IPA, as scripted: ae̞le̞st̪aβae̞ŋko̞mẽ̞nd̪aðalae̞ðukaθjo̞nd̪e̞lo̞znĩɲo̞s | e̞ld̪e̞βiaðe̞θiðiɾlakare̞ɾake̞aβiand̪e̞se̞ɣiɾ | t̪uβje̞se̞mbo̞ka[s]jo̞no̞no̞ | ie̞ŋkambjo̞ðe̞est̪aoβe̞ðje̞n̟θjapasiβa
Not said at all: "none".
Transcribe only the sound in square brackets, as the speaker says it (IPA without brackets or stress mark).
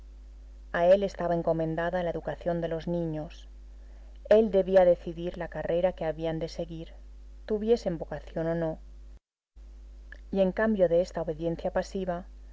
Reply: θ